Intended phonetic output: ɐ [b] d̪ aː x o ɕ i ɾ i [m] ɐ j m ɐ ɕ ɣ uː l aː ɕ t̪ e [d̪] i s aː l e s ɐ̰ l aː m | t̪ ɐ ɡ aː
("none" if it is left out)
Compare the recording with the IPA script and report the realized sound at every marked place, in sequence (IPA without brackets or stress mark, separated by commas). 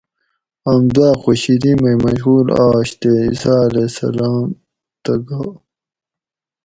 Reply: m, m, none